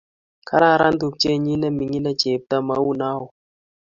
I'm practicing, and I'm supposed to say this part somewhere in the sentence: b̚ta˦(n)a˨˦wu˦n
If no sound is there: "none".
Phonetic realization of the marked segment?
m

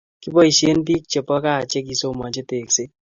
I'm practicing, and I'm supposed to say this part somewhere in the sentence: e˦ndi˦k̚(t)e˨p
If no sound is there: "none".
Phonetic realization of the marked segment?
t͡ʃ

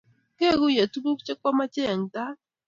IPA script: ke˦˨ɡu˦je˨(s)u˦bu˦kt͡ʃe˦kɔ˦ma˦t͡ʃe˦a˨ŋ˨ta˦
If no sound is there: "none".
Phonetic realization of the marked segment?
t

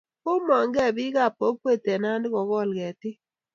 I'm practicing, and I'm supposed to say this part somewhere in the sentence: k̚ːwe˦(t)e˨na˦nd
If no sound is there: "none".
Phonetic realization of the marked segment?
t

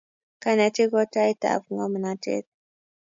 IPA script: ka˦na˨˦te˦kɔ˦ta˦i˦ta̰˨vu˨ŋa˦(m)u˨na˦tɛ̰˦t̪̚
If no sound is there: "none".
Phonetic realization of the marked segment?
m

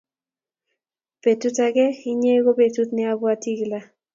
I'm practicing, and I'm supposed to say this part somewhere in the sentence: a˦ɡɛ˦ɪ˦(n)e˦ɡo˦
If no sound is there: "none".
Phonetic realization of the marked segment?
ɲ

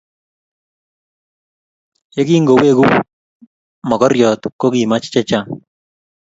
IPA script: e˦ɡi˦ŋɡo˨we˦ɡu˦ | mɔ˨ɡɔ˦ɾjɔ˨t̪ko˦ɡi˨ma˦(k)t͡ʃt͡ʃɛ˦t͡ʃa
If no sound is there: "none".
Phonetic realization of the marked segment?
none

